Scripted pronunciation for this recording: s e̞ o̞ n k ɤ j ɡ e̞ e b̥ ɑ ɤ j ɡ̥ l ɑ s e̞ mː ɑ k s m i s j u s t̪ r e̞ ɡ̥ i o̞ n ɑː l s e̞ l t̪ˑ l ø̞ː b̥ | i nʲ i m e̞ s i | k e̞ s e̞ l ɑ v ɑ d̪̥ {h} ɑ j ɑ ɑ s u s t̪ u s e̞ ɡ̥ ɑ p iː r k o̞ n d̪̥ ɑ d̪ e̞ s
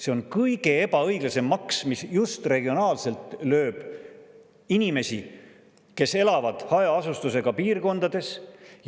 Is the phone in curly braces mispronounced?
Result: no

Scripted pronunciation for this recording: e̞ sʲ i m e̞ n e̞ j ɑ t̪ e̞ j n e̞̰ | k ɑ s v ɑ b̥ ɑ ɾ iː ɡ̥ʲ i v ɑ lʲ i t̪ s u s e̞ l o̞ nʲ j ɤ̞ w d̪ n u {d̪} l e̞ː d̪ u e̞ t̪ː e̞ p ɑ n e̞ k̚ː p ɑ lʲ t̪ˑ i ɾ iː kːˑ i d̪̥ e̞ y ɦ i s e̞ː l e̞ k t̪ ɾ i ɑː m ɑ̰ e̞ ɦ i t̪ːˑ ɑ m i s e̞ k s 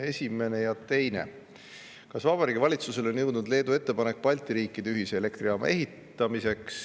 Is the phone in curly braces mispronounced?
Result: no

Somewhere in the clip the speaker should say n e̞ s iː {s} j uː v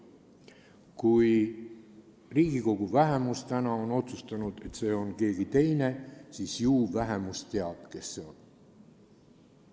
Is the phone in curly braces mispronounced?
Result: no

